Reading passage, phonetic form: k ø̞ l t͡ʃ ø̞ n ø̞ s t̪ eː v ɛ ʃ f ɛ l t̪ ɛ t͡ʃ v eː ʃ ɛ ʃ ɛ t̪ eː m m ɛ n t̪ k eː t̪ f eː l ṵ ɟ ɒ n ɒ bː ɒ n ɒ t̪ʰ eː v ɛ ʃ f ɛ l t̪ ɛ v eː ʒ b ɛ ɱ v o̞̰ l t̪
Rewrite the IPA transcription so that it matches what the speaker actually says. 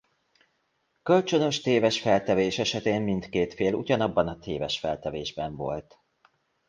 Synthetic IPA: k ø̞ l t͡ʃ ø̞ n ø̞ ʃ t̪ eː v ɛ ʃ f ɛ l t̪ ɛ v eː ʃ ɛ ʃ ɛ t̪ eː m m i n t̪ k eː t̪ f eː l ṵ ɟ ɒ n ɒ bː ɒ n ɒ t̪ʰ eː v ɛ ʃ f ɛ l t̪ ɛ v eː ʒ b ɛ ɱ v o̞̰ l t̪